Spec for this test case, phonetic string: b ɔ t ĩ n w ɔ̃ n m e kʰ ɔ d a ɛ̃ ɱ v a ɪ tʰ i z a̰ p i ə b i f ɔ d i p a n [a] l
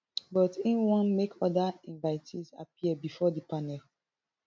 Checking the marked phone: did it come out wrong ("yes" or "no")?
yes